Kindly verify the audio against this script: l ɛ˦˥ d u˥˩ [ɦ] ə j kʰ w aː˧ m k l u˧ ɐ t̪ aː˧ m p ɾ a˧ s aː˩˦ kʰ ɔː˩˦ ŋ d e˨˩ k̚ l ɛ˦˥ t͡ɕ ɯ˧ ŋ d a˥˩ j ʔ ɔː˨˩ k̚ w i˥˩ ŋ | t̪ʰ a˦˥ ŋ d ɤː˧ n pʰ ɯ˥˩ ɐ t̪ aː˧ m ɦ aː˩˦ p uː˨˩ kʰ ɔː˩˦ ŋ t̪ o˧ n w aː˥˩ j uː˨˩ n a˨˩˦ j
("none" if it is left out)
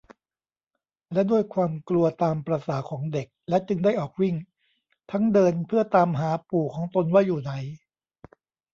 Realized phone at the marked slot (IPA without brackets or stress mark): none